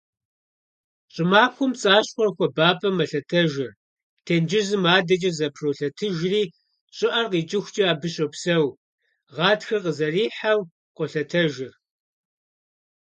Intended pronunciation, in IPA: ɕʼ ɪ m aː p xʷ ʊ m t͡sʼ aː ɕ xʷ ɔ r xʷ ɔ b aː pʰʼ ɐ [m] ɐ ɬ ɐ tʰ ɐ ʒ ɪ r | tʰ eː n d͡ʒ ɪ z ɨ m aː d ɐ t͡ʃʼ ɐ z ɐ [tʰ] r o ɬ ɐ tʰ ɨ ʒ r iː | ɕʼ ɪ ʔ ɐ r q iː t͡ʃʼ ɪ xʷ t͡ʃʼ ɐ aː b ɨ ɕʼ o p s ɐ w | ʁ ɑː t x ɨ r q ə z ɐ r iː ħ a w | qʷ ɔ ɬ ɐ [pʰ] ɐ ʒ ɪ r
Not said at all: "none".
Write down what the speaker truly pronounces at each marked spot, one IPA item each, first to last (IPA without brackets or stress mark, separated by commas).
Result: m, pʰ, tʰ